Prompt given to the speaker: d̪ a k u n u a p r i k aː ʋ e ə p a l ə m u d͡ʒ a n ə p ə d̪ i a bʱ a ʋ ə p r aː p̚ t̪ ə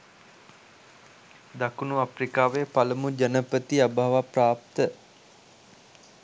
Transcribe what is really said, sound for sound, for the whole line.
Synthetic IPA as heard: d̪ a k u n u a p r i k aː ʋ e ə p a l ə m u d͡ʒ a n ə p ə t̪ i a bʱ a ʋ a p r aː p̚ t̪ ə

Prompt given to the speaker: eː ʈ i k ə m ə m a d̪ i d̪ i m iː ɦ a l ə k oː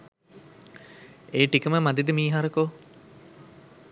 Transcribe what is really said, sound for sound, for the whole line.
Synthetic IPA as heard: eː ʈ i k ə m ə m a d̪ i d̪ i m iː ɦ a ɾ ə k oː

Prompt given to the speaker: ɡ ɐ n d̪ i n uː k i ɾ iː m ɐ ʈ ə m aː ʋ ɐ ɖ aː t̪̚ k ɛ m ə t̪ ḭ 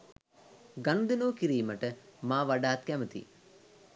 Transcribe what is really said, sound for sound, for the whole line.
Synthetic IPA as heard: ɡ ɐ n d̪ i n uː k i ɾ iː m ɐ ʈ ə m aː ʋ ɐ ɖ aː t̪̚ k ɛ m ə t̪ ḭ

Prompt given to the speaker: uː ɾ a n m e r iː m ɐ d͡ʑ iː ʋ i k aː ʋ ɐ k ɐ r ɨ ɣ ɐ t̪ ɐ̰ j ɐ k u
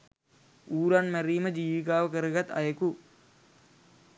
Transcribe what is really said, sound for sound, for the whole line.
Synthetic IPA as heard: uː ɾ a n m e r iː m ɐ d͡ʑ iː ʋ i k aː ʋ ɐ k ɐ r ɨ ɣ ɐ t̪ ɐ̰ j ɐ k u

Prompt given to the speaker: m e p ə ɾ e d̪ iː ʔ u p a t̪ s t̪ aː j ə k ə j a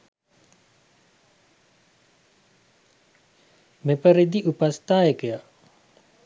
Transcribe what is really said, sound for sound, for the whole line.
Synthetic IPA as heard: m e p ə ɾ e d̪ i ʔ u p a s t̪ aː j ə k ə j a

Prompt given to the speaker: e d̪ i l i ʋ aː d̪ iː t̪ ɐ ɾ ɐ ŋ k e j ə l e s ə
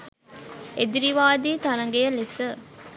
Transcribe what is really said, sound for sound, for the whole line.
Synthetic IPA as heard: e d̪ i ɾ i ʋ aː d̪ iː t̪ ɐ ɾ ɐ ŋ ɡ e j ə l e s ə

